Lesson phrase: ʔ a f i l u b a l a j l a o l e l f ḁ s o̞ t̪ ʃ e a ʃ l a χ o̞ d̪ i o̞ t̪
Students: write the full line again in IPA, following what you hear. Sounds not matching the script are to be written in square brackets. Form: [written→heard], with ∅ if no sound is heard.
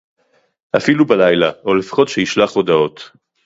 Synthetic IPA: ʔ a f i l u b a l a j l a o l e [l→∅] f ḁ [s→χ] o̞ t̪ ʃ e [a→i] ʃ l a χ o̞ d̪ [i→a] o̞ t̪